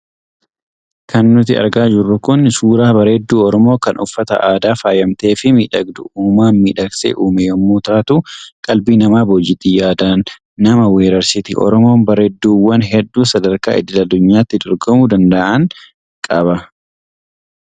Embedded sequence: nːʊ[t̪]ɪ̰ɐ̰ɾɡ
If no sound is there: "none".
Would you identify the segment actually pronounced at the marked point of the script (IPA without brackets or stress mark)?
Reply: t̪